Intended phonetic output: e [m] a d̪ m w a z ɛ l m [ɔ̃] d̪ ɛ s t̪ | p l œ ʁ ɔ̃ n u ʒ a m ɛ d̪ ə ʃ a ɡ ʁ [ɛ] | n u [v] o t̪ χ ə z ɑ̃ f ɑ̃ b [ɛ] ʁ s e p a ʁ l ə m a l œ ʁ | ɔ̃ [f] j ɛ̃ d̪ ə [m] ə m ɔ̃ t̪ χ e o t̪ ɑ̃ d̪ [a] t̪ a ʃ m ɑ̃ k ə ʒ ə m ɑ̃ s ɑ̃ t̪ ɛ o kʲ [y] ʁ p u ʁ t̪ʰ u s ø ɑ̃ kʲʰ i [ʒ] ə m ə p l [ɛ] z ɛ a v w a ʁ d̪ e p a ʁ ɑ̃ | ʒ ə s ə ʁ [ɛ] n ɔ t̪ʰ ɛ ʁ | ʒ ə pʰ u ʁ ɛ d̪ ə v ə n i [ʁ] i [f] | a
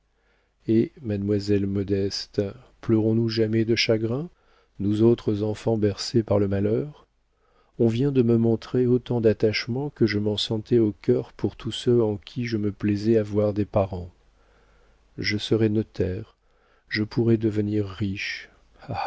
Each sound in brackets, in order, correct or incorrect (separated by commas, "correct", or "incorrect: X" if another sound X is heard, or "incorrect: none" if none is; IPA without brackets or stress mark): correct, incorrect: ɔ, incorrect: ɛ̃, incorrect: z, correct, incorrect: v, correct, correct, incorrect: œ, correct, correct, correct, incorrect: ʁː, incorrect: ʃ